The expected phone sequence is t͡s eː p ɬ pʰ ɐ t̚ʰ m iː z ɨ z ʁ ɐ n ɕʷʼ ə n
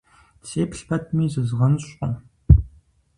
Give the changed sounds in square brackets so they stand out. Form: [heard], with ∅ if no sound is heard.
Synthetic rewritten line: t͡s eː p ɬ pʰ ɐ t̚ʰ m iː z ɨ z ʁ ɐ n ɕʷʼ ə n